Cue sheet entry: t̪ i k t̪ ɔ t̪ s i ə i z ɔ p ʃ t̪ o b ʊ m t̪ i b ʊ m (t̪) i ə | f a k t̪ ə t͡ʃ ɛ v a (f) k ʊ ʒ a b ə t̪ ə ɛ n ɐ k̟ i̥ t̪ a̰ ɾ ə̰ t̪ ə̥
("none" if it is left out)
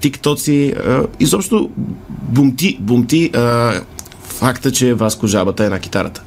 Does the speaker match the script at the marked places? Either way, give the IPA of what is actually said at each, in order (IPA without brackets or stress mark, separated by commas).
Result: t̪, s